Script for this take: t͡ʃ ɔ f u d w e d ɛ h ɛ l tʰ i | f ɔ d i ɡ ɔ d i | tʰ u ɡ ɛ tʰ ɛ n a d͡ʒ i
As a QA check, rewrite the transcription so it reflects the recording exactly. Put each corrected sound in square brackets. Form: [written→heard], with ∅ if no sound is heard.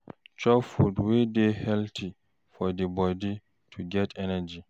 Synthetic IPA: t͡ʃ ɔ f u d w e d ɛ h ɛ l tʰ i | f ɔ d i [ɡ→b] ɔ d i | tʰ u ɡ ɛ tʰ ɛ n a d͡ʒ i